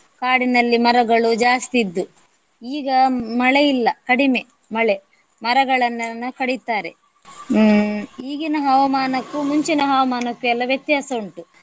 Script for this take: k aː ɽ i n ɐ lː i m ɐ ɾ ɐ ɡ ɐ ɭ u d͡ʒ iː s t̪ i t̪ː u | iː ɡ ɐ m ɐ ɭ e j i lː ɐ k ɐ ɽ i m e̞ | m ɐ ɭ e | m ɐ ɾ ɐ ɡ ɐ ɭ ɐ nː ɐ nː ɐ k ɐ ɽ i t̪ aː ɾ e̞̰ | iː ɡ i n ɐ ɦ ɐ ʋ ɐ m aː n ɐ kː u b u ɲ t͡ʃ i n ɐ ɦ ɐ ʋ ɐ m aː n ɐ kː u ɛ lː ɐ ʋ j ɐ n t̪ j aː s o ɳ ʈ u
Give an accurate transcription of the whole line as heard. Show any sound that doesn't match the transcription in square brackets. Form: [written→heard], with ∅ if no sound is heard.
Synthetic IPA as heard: k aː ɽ i n ɐ lː i m ɐ ɾ ɐ ɡ ɐ ɭ u d͡ʒ [iː→aː] s t̪ i [t̪ː→d̪ː] u | iː ɡ ɐ m ɐ ɭ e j i lː ɐ k ɐ ɽ i m e̞ | m ɐ ɭ e | m ɐ ɾ ɐ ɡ ɐ ɭ ɐ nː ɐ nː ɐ k ɐ ɽ i t̪ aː ɾ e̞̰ | iː ɡ i n ɐ ɦ ɐ ʋ ɐ m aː n ɐ kː u [b→m] u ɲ t͡ʃ i n ɐ ɦ ɐ ʋ ɐ m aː n ɐ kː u ɛ lː ɐ ʋ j ɐ [n→∅] t̪ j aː s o ɳ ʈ u